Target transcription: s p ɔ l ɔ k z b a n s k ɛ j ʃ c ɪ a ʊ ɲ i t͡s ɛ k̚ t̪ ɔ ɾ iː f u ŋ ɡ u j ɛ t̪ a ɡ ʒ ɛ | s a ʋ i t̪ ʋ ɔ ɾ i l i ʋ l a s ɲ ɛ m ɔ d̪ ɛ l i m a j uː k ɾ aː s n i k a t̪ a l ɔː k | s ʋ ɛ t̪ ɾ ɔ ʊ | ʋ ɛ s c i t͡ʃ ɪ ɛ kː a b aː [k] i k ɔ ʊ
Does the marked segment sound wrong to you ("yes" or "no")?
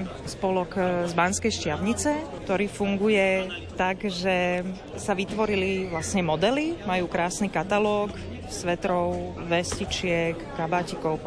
yes